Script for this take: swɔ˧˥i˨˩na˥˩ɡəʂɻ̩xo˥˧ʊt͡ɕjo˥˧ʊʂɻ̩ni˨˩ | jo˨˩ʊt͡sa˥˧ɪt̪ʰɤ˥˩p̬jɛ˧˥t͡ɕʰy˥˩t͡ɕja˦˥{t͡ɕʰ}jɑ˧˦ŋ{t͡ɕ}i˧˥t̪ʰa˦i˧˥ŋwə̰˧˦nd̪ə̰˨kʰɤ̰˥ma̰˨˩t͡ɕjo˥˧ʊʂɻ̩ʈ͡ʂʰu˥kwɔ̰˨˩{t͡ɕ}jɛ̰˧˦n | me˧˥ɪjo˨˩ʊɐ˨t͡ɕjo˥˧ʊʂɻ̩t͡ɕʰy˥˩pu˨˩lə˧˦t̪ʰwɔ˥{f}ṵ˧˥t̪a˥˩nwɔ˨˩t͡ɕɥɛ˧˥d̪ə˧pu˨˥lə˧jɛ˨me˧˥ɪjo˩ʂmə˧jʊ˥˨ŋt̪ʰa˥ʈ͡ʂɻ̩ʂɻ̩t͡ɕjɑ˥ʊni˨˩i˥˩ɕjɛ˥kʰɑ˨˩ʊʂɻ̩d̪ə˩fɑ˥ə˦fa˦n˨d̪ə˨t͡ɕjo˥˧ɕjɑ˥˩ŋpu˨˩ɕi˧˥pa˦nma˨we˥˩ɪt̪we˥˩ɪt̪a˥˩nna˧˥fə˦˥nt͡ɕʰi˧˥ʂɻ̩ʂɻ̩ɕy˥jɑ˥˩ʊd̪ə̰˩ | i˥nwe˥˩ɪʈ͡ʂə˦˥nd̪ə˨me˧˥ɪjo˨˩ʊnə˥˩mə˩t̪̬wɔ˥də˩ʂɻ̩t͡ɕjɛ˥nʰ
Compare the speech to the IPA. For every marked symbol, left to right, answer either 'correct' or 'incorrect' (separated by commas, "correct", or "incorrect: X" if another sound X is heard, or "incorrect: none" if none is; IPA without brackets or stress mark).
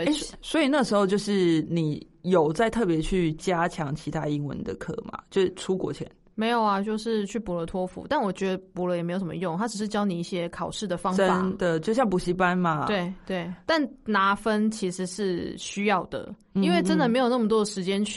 correct, incorrect: t͡ɕʰ, incorrect: t͡ɕʰ, correct